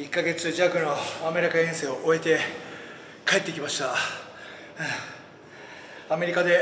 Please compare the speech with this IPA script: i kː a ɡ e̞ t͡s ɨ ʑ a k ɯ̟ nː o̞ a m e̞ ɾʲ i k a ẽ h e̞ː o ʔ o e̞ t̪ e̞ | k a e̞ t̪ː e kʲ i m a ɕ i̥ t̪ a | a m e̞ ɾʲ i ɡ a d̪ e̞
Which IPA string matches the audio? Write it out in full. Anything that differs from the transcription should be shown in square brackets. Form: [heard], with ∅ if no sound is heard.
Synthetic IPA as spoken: i kː a ɡ e̞ t͡s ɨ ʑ a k ɯ̟ [n] o̞ a m e̞ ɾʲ i k a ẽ [s] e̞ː o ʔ o e̞ t̪ e̞ | k a e̞ t̪ː e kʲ i m a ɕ i̥ t̪ a | a m e̞ ɾʲ i [k] a d̪ e̞